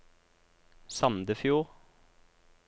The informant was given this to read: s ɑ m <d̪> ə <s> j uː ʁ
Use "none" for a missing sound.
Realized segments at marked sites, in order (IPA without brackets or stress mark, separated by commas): d̪, f